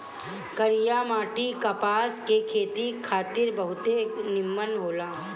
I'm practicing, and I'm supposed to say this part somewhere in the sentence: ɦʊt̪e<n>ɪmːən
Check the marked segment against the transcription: correct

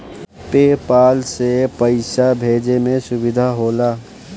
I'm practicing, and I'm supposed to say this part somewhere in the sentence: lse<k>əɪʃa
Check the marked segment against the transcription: incorrect: p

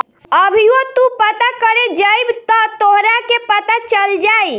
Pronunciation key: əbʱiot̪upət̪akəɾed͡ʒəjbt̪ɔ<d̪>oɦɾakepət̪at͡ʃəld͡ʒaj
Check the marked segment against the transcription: incorrect: t̪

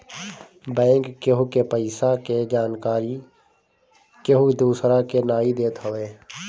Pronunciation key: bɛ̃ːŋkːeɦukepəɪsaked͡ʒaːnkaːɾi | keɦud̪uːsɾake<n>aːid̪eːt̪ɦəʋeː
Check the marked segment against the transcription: correct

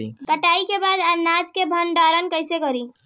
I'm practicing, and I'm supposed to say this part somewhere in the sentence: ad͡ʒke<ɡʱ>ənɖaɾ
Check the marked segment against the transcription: incorrect: bʱ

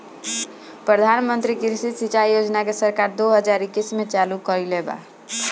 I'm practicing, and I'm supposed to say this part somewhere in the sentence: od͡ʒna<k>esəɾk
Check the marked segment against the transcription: correct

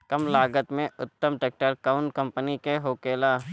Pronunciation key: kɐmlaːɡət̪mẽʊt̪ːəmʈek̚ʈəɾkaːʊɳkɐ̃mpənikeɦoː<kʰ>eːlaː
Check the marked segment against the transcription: incorrect: k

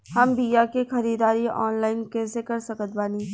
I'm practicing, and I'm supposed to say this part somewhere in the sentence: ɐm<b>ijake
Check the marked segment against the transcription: correct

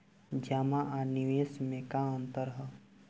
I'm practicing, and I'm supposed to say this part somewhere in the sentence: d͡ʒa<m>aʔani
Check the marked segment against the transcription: correct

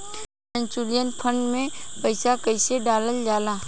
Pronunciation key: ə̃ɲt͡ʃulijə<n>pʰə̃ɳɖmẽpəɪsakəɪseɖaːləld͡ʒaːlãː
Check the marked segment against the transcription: correct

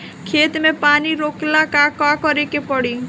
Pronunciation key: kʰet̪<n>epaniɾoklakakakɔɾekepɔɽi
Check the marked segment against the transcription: incorrect: m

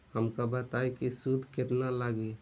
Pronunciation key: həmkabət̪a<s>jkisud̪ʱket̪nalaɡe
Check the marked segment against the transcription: incorrect: none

